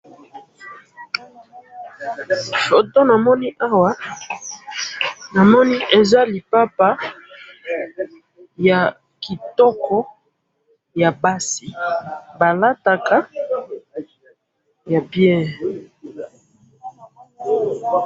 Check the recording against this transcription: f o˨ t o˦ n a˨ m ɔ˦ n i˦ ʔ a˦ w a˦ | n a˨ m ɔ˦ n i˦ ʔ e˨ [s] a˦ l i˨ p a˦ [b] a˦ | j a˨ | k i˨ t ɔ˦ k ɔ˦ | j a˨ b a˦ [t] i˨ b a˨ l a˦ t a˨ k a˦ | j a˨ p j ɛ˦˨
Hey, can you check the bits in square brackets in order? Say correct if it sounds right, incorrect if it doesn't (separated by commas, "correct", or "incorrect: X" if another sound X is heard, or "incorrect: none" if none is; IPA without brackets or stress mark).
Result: incorrect: z, incorrect: p, incorrect: s